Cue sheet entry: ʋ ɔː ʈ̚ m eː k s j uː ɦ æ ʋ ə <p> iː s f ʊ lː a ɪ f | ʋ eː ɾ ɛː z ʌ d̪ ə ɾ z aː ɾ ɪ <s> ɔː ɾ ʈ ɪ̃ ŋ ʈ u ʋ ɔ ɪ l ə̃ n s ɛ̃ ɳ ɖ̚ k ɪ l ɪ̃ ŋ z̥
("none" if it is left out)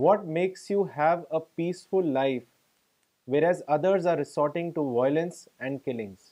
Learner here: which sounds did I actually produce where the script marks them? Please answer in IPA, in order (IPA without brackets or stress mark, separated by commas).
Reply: p, s